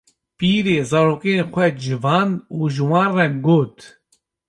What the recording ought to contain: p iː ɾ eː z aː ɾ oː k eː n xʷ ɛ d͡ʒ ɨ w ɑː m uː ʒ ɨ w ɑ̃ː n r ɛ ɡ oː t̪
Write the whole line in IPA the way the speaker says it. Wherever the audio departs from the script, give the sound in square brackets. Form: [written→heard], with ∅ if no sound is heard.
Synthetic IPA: p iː ɾ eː z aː ɾ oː k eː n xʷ ɛ d͡ʒ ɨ [w→v] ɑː [m→n] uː ʒ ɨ w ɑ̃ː n r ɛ ɡ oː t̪